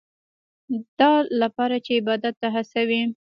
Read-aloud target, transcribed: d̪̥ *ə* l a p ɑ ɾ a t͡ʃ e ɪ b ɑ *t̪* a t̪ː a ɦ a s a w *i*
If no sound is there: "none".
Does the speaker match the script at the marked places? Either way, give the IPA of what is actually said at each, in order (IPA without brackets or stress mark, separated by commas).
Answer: ɑ, d̪, i